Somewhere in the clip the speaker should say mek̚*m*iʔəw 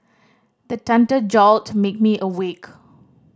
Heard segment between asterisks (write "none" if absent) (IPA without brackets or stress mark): m